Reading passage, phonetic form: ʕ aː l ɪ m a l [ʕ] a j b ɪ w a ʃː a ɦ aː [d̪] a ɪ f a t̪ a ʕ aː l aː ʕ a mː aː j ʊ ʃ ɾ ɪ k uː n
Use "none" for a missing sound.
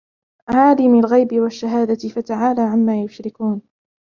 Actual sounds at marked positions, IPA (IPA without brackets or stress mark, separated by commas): ɣ, d̪